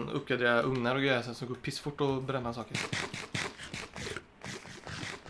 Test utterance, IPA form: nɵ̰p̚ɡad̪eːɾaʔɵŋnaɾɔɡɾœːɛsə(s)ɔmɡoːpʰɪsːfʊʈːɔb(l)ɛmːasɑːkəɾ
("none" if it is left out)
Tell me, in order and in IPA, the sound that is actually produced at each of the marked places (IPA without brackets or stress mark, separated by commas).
s, ɾ